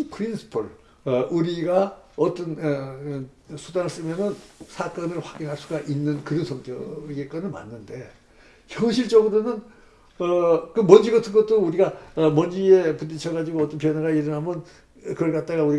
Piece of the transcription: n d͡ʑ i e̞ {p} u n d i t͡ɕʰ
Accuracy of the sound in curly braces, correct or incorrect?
correct